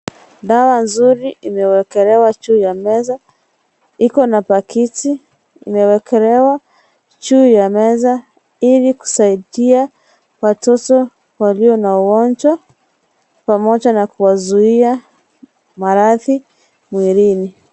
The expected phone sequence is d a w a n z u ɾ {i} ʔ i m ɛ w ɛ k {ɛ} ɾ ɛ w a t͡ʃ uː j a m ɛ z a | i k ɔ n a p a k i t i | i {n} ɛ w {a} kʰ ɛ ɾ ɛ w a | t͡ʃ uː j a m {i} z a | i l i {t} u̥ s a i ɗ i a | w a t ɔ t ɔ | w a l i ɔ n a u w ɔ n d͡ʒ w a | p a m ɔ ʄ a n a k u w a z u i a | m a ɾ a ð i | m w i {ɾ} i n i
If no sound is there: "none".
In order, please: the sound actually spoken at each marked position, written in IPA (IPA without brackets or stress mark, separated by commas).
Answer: i, ɛ, m, ɛ, ɛ, k, ɾ